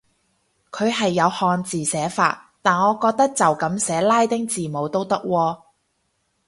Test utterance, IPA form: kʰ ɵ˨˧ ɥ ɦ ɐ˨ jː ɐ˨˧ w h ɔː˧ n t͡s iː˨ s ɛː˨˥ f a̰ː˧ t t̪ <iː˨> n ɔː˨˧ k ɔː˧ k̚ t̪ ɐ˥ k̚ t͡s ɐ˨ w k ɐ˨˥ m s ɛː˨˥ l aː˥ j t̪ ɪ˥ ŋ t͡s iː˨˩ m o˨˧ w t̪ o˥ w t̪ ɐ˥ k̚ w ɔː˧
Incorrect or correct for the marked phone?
incorrect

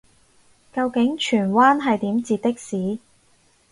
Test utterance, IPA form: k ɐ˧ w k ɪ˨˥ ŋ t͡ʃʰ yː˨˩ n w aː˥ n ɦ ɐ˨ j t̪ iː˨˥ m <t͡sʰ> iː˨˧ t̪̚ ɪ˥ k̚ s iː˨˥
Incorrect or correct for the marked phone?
incorrect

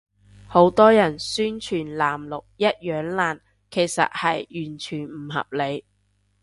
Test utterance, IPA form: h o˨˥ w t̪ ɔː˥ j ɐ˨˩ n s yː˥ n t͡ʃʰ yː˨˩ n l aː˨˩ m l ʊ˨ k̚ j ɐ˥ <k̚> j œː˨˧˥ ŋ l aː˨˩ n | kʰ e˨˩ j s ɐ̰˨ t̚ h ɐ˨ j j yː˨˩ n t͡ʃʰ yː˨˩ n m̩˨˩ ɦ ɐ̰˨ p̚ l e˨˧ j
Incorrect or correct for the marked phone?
incorrect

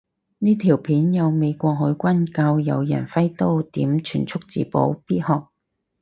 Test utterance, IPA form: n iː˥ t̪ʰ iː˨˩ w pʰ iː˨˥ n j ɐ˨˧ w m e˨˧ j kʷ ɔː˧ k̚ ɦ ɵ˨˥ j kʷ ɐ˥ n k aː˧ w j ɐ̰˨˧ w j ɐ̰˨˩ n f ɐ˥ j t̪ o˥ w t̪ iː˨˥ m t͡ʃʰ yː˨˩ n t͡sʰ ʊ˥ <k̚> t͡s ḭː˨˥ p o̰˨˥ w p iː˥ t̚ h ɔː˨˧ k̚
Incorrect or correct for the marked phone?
correct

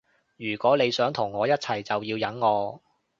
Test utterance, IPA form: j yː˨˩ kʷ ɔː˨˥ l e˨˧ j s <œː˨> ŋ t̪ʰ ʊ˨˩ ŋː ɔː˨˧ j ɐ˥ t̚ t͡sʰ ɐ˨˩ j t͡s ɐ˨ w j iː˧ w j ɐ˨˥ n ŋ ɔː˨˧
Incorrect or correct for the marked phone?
incorrect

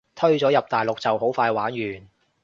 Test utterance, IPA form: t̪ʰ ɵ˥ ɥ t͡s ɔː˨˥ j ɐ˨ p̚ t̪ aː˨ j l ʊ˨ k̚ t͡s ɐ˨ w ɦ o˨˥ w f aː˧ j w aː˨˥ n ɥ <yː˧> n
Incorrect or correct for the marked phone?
incorrect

